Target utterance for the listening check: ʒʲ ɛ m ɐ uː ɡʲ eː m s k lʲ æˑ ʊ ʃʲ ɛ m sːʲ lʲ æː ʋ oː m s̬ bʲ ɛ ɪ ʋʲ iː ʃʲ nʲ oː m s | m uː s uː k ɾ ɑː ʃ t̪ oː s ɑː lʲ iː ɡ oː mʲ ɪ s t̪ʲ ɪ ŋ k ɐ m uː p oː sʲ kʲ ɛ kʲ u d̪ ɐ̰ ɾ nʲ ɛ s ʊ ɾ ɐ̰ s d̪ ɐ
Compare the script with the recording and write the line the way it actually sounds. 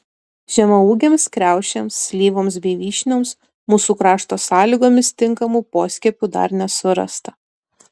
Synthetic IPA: ʒʲ ɛ m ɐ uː ɡʲ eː m s k ɾʲ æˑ ʊ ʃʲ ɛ m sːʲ lʲ iː ʋ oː m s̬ bʲ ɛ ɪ ʋʲ iː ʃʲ nʲ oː m s | m uː s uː k ɾ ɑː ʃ t̪ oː s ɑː lʲ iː ɡ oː mʲ ɪ s t̪ʲ ɪ ŋ k ɐ m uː p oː sʲ kʲ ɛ pʲ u d̪ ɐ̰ ɾ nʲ ɛ s ʊ ɾ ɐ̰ s t̪ ɐ